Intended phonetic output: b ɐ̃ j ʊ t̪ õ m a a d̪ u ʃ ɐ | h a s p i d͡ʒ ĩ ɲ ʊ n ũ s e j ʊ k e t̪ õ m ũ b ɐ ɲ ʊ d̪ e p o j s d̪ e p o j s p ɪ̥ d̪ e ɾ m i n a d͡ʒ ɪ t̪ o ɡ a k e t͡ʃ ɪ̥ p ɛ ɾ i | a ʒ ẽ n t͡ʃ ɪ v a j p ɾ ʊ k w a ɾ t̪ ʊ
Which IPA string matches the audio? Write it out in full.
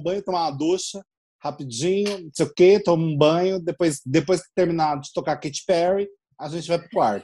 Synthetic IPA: b ɐ̃ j ʊ t̪ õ m a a d̪ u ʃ ɐ | h a p i d͡ʒ ĩ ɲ ʊ n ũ s e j ʊ k e t̪ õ m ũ b ɐ̃ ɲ ʊ d̪ e p o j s d̪ e p o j s k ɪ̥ t̪ e ɾ m i n a d͡ʒ ɪ t̪ o k a k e t͡ʃ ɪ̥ p ɛ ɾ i | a ʒ ẽ n t͡ʃ ɪ v a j p ɾ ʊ k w a ɾ t̪ ʊ